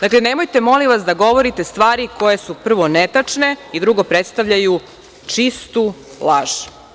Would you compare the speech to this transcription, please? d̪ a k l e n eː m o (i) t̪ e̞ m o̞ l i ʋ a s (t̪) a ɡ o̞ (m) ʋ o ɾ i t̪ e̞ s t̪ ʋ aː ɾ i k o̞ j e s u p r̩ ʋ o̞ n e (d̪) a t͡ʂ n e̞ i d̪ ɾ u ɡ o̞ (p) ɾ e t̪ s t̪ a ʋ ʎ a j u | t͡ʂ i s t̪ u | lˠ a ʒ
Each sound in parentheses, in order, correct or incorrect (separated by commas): incorrect, incorrect, incorrect, incorrect, correct